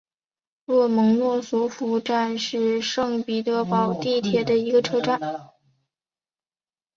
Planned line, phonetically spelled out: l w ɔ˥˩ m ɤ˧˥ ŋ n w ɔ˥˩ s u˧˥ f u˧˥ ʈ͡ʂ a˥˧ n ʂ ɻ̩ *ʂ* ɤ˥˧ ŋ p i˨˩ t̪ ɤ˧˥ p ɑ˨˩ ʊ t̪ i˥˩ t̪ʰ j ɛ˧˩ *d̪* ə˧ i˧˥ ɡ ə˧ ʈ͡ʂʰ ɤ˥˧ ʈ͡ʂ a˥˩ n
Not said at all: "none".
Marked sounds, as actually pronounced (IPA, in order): ʂ, d̪

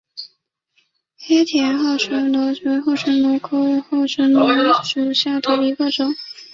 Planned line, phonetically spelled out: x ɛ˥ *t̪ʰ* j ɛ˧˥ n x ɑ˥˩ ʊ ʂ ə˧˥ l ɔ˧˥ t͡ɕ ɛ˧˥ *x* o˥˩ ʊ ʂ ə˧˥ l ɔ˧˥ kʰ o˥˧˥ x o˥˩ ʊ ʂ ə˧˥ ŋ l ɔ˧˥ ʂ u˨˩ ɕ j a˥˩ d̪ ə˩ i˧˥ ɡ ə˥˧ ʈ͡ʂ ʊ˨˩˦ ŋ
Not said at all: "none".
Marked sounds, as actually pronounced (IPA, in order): t̪ʰ, x

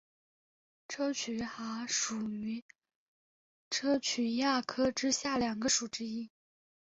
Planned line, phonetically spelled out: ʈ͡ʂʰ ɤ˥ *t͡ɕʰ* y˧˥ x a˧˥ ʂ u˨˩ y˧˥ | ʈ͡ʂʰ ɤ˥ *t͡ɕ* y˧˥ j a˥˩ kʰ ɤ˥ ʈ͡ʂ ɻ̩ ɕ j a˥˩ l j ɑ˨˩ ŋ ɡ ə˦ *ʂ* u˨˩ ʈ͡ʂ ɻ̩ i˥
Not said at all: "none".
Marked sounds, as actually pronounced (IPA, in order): t͡ɕʰ, t͡ɕʰ, ʂ

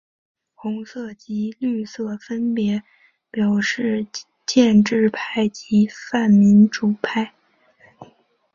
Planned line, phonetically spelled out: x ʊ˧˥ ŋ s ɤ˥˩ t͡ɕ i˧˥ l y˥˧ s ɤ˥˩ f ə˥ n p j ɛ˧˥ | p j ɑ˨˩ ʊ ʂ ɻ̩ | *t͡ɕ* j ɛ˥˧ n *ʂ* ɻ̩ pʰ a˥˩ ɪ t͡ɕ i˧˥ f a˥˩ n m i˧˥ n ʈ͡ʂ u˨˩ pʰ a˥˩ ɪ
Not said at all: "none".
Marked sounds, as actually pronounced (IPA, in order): t͡ɕ, ʈ͡ʂ

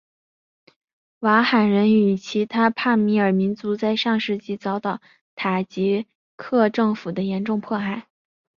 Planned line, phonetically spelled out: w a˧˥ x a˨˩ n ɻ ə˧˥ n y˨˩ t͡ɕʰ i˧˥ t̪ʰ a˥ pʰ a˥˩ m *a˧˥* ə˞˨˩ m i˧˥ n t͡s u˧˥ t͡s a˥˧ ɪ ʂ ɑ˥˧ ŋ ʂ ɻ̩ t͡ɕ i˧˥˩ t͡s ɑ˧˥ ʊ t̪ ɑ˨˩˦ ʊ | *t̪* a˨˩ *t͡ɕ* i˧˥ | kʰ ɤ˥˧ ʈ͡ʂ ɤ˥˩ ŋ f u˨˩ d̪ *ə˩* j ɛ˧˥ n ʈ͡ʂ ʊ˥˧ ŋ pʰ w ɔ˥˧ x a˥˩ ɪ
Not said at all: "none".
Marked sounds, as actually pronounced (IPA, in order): i˧˥, t̪ʰ, t͡ɕ, ə˦

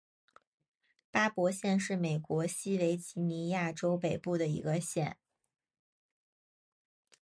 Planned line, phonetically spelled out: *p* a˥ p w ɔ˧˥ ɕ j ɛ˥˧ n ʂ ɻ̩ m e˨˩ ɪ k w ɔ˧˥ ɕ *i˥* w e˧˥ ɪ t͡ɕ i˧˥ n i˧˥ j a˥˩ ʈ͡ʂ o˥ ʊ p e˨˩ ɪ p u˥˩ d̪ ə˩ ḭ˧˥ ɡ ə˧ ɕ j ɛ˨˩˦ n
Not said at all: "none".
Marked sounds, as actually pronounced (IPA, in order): p, i˥

